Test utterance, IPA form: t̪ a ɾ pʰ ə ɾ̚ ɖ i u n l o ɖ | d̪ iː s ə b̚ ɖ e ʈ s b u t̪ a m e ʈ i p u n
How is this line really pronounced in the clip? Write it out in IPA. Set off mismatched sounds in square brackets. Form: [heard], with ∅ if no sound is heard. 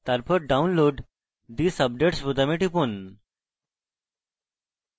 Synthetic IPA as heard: t̪ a ɾ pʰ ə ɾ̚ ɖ [a] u n l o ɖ | d̪ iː s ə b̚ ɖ e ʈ s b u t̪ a m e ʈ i p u n